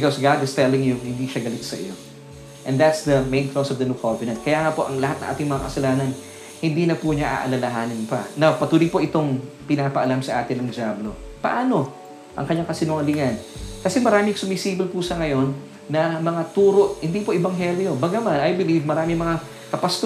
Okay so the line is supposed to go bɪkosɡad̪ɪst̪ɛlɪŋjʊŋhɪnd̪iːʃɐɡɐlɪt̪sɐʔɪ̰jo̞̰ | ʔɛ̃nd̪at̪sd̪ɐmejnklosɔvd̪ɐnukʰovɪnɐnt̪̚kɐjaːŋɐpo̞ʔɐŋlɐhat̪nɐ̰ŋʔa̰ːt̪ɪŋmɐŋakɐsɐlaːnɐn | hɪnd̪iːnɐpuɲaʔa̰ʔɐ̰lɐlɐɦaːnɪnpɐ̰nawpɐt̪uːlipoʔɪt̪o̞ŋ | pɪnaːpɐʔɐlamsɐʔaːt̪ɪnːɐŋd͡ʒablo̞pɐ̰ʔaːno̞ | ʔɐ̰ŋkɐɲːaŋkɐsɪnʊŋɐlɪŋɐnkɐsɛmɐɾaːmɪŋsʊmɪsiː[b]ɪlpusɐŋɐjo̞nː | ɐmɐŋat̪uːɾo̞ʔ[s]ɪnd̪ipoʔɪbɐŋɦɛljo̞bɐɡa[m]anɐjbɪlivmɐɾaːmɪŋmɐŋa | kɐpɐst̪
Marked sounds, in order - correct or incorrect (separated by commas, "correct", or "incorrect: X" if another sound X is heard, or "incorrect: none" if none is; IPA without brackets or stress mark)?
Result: correct, incorrect: h, correct